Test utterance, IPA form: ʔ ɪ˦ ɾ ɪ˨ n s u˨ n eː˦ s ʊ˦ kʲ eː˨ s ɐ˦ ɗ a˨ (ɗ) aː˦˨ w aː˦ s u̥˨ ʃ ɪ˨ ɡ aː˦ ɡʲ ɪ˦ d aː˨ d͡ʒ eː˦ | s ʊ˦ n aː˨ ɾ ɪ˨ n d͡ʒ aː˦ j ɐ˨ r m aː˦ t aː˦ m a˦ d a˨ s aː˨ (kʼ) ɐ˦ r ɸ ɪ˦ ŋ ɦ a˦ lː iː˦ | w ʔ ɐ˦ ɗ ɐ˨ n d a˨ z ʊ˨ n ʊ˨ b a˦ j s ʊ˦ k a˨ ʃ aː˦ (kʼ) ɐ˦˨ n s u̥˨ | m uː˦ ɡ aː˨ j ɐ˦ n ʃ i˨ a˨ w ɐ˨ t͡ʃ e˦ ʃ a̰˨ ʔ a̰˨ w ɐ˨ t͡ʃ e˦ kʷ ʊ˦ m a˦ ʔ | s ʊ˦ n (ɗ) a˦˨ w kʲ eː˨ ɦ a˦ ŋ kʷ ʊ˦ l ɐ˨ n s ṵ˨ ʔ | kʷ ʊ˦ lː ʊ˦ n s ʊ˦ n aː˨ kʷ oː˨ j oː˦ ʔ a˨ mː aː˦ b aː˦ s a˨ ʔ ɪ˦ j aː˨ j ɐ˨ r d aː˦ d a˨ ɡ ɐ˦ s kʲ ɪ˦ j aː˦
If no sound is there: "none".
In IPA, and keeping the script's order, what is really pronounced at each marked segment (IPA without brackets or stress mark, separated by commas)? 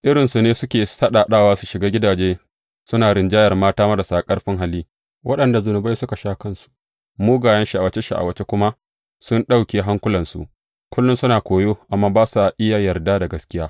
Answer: ɗ, kʼ, k, ɗ